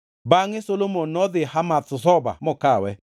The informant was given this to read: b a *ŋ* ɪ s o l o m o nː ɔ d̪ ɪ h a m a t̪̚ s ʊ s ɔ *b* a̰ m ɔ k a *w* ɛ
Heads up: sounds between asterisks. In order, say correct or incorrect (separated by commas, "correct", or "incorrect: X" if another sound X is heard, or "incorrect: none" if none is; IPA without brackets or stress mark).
correct, correct, correct